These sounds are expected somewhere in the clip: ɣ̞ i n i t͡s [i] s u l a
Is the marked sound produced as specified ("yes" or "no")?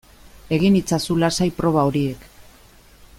no